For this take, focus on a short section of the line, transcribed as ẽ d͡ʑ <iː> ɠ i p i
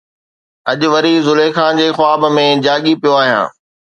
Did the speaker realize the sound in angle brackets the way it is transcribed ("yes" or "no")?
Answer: no